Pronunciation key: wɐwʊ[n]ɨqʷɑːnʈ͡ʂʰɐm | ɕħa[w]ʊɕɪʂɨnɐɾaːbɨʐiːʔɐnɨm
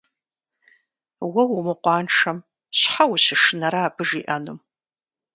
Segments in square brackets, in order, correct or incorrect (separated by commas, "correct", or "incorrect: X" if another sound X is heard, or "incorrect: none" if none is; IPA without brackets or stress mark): incorrect: m, correct